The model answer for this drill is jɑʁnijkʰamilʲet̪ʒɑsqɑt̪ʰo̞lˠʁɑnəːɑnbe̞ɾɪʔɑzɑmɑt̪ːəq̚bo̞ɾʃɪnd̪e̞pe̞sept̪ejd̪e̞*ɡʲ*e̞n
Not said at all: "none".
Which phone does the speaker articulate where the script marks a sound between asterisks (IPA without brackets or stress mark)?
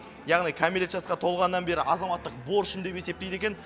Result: kʲ